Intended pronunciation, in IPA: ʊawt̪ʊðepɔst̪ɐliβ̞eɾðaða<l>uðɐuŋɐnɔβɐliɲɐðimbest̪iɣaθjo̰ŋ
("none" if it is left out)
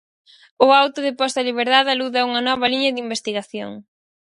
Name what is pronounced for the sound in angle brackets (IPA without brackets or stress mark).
l